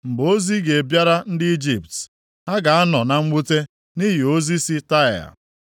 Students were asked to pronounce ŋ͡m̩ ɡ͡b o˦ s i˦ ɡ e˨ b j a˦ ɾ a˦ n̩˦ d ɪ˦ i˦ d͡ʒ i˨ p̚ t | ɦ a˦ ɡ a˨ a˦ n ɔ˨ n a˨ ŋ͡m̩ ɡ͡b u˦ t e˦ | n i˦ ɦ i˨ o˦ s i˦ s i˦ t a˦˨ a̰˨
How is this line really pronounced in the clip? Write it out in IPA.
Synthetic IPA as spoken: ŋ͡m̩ ɡ͡b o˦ z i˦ ɡ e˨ b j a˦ ɾ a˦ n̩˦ d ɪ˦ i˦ d͡ʒ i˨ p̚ t | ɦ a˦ ɡ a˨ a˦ n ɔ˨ n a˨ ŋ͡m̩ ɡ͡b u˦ t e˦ | n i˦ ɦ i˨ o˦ z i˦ s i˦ t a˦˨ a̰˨